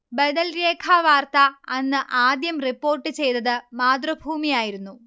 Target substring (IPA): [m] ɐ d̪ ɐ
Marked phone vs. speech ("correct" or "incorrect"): incorrect